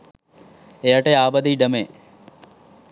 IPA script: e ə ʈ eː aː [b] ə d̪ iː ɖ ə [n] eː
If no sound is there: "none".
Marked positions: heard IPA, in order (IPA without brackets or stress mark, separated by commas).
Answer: b, m